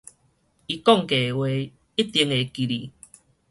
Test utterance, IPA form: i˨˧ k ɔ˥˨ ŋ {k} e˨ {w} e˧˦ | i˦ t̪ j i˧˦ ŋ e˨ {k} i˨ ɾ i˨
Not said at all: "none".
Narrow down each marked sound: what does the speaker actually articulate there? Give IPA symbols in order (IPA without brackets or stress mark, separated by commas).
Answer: k, w, k